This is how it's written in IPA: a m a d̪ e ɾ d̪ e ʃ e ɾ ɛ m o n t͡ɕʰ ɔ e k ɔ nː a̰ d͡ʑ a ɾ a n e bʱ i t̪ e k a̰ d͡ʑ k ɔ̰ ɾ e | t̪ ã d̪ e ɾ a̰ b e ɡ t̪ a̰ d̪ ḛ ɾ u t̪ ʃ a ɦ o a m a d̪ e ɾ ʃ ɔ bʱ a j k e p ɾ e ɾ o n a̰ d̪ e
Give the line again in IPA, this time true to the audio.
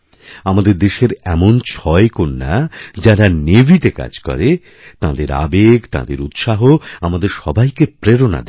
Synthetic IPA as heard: a m a d̪ e ɾ d̪ e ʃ e ɾ ɛ m o n t͡ɕʰ ɔ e k o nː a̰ d͡ʑ a ɾ a n e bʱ i t̪ e k a̰ d͡ʑ k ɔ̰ ɾ e | t̪ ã d̪ e ɾ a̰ b e ɡ t̪ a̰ d̪ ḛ ɾ u t̪ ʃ a ɦ o a m a d̪ e ɾ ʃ ɔ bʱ a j k e p ɾ e ɾ o n a̰ d̪ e